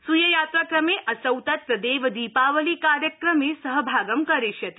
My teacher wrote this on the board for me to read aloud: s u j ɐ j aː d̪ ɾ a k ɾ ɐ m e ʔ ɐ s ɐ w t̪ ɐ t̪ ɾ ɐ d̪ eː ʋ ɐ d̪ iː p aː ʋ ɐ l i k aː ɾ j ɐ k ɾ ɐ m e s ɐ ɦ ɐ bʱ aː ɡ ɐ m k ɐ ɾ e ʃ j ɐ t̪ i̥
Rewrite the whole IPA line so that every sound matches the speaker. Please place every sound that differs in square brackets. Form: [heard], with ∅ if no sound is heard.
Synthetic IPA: s u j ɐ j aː [t̪] ɾ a k ɾ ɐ m e ʔ ɐ s ɐ w t̪ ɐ t̪ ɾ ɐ d̪ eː ʋ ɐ d̪ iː p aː ʋ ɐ l i k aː ɾ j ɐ k ɾ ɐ m e s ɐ ɦ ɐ bʱ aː ɡ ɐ m k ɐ ɾ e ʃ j ɐ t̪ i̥

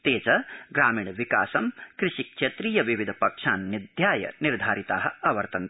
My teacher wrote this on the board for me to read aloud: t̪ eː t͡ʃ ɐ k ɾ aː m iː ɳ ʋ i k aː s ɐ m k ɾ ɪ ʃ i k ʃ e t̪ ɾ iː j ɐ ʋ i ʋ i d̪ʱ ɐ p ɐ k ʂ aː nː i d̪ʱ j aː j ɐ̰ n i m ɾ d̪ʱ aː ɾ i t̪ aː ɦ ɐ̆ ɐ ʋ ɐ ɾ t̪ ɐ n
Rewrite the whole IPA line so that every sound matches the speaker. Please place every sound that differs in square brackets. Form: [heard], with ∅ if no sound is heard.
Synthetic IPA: t̪ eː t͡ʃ ɐ [ɡ] ɾ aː m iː ɳ ʋ i k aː s ɐ m k ɾ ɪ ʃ i k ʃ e t̪ ɾ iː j ɐ ʋ i ʋ i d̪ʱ ɐ p ɐ k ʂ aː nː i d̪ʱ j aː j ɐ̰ n i [∅] ɾ d̪ʱ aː ɾ i t̪ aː ɦ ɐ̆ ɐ ʋ ɐ ɾ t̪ ɐ n

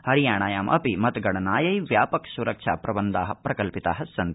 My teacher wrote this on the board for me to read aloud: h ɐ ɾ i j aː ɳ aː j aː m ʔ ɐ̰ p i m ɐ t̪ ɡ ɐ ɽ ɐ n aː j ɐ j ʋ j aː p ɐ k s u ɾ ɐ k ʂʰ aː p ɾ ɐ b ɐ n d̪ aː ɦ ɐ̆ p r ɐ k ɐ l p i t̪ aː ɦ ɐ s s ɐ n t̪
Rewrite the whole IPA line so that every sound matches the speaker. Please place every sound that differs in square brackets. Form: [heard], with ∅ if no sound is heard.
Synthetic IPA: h ɐ ɾ i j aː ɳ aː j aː m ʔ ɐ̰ p i m ɐ t̪ ɡ ɐ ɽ ɐ n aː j ɐ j ʋ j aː p ɐ k s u ɾ ɐ k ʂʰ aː p ɾ ɐ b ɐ n d̪ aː ɦ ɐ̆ p [ɾ] ɐ k ɐ l p i t̪ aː ɦ ɐ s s ɐ n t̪

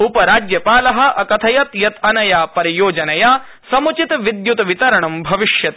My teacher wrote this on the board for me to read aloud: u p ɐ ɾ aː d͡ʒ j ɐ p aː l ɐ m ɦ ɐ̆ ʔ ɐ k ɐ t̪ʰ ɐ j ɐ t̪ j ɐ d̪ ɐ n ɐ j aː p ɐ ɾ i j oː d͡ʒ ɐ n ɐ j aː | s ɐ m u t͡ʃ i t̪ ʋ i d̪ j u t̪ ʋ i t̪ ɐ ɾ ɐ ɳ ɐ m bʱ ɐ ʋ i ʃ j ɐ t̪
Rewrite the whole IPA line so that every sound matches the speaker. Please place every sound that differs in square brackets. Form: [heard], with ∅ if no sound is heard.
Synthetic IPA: u p ɐ ɾ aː d͡ʒ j ɐ p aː l ɐ [∅] ɦ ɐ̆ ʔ ɐ k ɐ t̪ʰ ɐ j ɐ t̪ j ɐ [t̪] ɐ n ɐ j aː p ɐ ɾ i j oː d͡ʒ ɐ n ɐ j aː | s ɐ m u t͡ʃ i t̪ ʋ i d̪ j u t̪ ʋ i t̪ ɐ ɾ ɐ ɳ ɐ m bʱ ɐ ʋ i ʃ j ɐ t̪

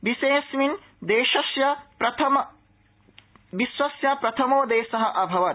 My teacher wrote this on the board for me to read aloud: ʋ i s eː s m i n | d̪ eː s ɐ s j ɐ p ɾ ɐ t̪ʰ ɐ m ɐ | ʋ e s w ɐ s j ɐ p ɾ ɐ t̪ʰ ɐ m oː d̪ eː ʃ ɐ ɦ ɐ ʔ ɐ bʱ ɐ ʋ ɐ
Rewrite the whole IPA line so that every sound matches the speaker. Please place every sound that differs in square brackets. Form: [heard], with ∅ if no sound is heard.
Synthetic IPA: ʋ i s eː s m i n | d̪ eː [ʃ] ɐ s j ɐ p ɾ ɐ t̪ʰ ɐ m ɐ | ʋ [i] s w ɐ s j ɐ p ɾ ɐ t̪ʰ ɐ m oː d̪ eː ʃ ɐ ɦ ɐ ʔ ɐ bʱ ɐ ʋ ɐ

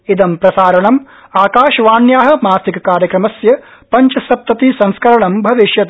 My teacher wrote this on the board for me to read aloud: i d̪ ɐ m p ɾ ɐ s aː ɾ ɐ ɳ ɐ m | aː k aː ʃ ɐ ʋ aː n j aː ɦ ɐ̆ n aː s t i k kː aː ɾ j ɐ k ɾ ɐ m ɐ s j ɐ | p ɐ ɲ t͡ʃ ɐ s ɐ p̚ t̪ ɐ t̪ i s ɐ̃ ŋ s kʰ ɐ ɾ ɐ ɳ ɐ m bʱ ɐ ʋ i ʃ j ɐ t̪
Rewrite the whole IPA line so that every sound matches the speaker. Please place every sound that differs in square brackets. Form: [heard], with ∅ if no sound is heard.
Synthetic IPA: i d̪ ɐ m p ɾ ɐ s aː ɾ ɐ ɳ ɐ m | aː k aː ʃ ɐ ʋ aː n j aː ɦ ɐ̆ [m] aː s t i k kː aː ɾ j ɐ k ɾ ɐ m ɐ s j ɐ | p ɐ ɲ t͡ʃ ɐ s ɐ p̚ t̪ ɐ t̪ i s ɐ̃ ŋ s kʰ ɐ ɾ ɐ ɳ ɐ m bʱ ɐ ʋ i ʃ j ɐ t̪

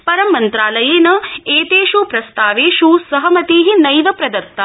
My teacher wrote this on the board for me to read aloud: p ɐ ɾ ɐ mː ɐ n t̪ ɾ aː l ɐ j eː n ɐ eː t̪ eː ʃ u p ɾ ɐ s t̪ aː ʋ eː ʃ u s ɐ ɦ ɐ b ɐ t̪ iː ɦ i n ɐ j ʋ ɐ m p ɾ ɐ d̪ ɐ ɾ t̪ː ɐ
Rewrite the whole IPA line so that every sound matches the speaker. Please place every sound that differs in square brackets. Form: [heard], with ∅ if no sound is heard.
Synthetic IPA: p ɐ ɾ ɐ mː ɐ n t̪ ɾ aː l ɐ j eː n ɐ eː t̪ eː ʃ u p ɾ ɐ s t̪ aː ʋ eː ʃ u s ɐ ɦ ɐ [m] ɐ t̪ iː ɦ i n ɐ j ʋ ɐ [∅] p ɾ ɐ d̪ ɐ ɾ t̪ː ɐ

